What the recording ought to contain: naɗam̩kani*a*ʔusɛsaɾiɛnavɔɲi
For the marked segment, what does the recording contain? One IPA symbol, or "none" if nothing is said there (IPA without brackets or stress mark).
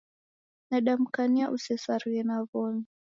a